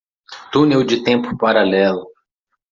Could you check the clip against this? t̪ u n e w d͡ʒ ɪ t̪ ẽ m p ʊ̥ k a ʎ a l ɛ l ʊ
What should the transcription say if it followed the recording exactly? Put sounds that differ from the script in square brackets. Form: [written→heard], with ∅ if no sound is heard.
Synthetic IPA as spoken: t̪ u n e w d͡ʒ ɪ t̪ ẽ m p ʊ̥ [k→p] a [ʎ→ɾ] a l ɛ l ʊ